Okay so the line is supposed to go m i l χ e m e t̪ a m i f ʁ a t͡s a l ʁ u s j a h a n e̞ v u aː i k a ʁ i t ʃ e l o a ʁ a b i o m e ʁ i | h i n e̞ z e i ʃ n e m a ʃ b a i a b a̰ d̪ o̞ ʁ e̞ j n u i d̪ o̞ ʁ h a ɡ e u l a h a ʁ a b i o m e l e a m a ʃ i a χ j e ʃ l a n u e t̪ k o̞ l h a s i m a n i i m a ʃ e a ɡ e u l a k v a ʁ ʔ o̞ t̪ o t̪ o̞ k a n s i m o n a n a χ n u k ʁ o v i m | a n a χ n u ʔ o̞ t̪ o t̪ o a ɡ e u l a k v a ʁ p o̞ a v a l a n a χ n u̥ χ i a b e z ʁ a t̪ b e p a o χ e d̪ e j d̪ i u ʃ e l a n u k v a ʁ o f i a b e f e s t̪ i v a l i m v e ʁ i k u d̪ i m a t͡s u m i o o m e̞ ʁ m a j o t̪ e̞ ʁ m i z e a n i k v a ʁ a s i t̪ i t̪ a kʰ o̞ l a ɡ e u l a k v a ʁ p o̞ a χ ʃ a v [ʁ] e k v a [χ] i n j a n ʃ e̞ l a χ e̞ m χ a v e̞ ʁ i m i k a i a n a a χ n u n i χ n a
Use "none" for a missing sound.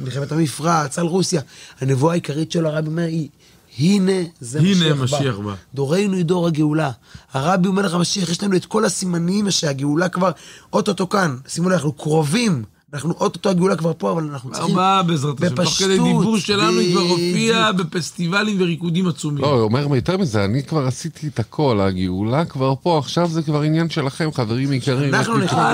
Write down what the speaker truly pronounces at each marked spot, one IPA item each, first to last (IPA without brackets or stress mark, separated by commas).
z, ʁ